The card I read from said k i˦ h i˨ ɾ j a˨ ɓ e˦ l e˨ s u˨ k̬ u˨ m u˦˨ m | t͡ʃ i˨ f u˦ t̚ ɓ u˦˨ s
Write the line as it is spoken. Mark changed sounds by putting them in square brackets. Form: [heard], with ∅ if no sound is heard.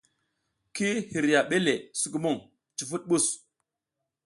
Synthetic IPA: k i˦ h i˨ ɾ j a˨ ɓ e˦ l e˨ s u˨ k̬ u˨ m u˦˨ [ŋ] | t͡ʃ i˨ f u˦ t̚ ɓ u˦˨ s